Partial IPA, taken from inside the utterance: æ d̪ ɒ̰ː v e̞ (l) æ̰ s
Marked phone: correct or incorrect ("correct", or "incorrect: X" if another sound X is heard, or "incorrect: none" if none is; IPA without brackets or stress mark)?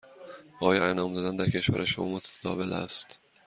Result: correct